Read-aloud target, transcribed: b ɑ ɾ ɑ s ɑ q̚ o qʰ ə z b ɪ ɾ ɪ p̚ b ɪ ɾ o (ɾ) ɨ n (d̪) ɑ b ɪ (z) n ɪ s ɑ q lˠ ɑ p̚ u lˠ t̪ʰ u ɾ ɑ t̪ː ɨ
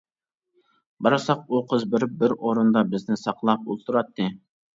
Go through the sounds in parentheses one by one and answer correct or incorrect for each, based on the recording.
correct, correct, correct

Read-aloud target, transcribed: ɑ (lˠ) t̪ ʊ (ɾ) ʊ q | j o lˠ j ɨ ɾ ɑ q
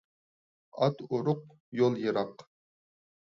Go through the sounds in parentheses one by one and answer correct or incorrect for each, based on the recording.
incorrect: none, correct

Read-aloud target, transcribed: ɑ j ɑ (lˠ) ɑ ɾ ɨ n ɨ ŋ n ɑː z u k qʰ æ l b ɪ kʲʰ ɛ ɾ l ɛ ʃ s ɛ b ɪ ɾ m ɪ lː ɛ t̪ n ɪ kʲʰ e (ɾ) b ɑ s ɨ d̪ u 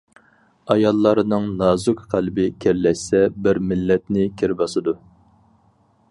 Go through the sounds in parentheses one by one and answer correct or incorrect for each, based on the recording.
incorrect: lˠː, correct

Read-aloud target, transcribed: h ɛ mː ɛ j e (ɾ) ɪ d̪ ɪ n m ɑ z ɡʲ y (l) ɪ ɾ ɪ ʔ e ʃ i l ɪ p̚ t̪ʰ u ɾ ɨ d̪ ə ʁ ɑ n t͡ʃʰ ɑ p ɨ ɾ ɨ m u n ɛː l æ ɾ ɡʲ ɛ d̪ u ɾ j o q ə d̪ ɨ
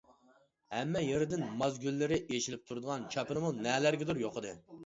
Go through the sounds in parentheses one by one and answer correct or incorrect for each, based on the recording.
correct, incorrect: lː

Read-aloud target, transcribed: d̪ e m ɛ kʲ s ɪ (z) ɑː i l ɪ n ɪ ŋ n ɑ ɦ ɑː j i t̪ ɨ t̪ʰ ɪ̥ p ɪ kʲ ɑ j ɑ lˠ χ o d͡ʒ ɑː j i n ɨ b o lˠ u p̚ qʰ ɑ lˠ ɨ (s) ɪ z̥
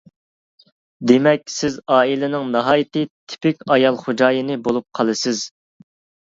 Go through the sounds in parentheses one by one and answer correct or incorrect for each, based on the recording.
correct, correct

